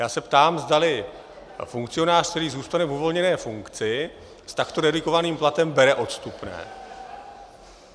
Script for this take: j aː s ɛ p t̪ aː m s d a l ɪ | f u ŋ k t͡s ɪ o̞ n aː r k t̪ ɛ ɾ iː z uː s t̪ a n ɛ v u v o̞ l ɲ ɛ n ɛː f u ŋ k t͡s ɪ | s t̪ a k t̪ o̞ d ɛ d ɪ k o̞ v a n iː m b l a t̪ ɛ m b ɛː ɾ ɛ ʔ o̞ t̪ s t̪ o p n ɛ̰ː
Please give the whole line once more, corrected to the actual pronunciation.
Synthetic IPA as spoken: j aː s ɛ p t̪ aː m z d a l ɪ | f u ŋ k t͡s ɪ o̞ n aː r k t̪ ɛ ɾ iː z uː s t̪ a n ɛ v u v o̞ l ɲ ɛ n ɛː f u ŋ k t͡s ɪ | s t̪ a k t̪ o̞ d ɛ d ɪ k o̞ v a n iː m p l a t̪ ɛ m b ɛ ɾ ɛ ʔ o̞ t̪ s t̪ u p n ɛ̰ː